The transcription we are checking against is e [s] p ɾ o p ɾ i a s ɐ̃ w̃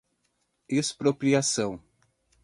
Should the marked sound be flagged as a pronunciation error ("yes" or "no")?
no